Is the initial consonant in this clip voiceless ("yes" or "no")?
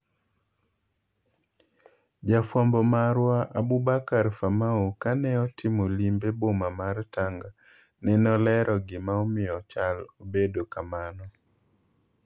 no